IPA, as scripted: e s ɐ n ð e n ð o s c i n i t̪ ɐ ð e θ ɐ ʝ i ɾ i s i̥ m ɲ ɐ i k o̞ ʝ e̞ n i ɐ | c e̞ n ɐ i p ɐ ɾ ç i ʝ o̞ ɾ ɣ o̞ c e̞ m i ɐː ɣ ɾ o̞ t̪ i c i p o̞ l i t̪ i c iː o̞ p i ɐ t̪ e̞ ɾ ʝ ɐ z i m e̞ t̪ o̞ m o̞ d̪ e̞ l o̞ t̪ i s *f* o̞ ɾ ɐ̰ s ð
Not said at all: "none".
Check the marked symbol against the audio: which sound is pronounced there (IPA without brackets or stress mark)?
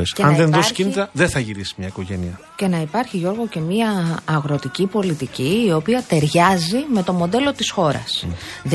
x